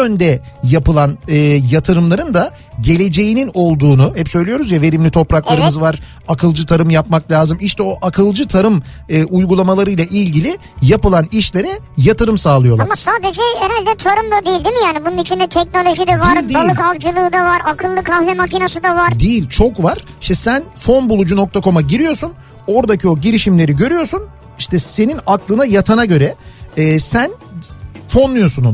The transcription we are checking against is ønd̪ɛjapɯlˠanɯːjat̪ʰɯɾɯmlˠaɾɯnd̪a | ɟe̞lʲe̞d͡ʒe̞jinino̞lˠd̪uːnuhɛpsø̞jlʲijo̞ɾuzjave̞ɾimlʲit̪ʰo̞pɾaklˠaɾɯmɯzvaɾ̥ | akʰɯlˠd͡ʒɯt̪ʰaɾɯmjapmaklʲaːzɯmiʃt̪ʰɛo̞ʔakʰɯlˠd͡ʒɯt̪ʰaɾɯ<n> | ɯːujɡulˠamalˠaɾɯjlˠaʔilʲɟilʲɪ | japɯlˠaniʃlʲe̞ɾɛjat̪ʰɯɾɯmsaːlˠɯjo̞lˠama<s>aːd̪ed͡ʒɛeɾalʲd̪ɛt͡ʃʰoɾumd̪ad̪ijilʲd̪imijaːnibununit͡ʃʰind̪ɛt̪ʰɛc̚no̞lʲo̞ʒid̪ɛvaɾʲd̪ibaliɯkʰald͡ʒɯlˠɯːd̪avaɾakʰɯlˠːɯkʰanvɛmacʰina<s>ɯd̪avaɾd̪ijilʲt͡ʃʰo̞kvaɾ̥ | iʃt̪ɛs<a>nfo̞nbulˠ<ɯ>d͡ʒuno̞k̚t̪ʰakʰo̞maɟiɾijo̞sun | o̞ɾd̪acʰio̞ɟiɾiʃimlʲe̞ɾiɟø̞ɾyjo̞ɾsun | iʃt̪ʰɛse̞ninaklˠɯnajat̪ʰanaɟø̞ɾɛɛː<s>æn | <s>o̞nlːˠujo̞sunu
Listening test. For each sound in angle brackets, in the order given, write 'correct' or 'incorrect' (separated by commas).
incorrect, correct, correct, incorrect, incorrect, correct, incorrect